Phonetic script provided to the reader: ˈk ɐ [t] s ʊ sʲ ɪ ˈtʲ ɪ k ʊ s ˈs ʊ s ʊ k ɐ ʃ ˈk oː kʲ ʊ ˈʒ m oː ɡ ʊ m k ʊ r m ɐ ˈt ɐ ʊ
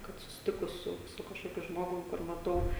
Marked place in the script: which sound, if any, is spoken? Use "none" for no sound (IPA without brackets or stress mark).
t